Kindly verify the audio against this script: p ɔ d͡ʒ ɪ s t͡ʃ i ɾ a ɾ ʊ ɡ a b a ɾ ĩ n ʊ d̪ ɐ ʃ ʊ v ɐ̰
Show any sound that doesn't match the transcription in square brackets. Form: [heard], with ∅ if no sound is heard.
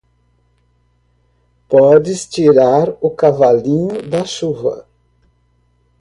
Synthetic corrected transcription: p ɔ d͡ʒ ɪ s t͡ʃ i ɾ a ɾ ʊ [k] a [v] a [l] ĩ [ɲ] ʊ d̪ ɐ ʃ [u] v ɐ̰